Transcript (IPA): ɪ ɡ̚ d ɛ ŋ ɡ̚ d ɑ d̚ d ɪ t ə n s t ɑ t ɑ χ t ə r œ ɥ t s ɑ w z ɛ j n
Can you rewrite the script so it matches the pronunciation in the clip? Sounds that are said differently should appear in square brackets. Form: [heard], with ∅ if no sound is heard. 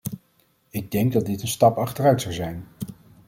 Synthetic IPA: ɪ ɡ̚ d ɛ ŋ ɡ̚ d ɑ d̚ d ɪ t ə n s t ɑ [p] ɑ χ t ə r œ ɥ t s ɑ w z ɛ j n